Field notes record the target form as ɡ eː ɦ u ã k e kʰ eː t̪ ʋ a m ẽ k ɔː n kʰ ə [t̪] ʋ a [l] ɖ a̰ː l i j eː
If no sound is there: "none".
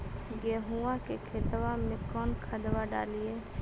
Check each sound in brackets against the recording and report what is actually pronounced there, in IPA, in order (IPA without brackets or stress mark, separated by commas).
d̪, none